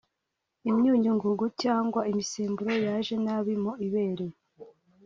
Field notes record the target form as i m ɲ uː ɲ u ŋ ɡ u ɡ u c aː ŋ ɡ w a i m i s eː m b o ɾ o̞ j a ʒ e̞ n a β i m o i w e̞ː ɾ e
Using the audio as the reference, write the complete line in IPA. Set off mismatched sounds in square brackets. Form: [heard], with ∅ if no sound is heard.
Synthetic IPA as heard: i m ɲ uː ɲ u ŋ ɡ u ɡ u c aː ŋ ɡ w a i m i s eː m b [u] ɾ o̞ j a ʒ e̞ n a β i m o i [β] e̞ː ɾ e